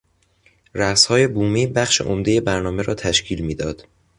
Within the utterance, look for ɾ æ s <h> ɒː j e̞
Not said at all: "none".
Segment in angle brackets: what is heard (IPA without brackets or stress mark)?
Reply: h